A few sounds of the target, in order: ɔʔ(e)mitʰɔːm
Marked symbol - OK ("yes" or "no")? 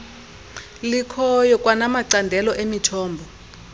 yes